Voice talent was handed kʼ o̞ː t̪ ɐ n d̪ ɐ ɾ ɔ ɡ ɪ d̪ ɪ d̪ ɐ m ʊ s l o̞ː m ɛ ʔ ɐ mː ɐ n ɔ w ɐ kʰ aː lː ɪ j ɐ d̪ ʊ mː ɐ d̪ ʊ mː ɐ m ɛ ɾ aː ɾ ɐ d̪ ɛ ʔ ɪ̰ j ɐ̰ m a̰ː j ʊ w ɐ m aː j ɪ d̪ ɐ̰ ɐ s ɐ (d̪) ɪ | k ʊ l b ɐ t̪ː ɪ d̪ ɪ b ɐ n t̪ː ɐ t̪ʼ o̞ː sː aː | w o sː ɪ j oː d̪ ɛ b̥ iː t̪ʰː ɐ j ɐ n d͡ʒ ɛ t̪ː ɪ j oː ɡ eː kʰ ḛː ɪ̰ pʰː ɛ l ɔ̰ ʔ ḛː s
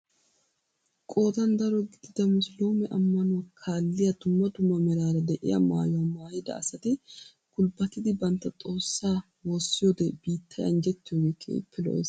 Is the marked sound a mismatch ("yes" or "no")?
yes